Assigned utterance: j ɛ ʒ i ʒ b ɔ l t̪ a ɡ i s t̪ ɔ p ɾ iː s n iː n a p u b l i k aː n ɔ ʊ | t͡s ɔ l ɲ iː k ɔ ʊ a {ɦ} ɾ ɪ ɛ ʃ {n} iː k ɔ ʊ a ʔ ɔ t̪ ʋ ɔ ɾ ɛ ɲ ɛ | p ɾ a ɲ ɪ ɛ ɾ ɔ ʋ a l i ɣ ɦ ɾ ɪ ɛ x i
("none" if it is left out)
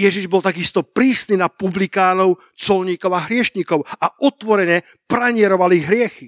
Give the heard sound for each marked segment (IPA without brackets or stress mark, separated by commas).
ɦ, ɲ